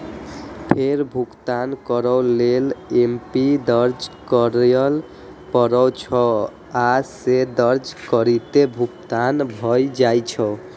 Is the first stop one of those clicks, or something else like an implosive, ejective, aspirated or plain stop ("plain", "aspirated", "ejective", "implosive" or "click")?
aspirated